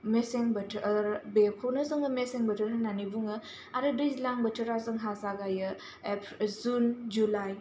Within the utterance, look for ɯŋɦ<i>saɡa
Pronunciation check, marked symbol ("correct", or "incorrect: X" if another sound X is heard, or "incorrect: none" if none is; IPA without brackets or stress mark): incorrect: a